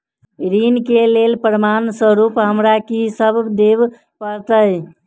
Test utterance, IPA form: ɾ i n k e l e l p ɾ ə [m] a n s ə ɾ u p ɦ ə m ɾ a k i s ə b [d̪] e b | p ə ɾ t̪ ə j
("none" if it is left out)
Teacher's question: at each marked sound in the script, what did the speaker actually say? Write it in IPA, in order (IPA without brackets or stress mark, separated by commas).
m, d̪